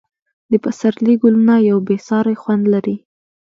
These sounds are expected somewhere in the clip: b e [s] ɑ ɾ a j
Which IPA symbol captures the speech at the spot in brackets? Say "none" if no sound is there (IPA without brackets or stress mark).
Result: s